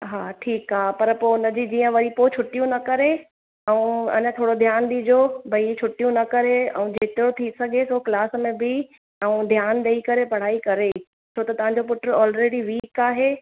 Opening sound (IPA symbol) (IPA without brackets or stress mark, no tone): ɦ